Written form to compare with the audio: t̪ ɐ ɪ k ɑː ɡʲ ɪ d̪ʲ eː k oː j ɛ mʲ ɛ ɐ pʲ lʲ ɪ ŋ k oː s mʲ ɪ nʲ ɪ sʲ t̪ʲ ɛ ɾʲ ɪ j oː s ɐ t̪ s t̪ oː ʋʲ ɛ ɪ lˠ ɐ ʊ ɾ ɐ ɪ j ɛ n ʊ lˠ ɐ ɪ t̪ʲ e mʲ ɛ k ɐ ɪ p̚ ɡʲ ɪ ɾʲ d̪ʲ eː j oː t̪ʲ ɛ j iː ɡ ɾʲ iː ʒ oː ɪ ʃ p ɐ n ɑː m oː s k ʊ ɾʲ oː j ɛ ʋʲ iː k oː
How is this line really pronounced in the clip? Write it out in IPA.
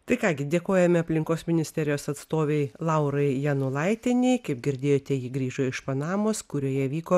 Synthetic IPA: t̪ ɐ ɪ k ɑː ɡʲ ɪ d̪ʲ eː k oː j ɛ mʲ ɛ ɐ pʲ lʲ ɪ ŋ k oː s mʲ ɪ nʲ ɪ sʲ t̪ʲ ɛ ɾʲ ɪ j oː s ɐ t̪ s t̪ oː ʋʲ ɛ ɪ lˠ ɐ ʊ ɾ ɐ ɪ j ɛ n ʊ lˠ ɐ ɪ t̪ʲ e nʲ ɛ k ɐ ɪ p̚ ɡʲ ɪ ɾʲ d̪ʲ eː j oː t̪ʲ ɛ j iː ɡ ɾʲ iː ʒ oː ɪ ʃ p ɐ n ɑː m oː s k ʊ ɾʲ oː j ɛ ʋʲ iː k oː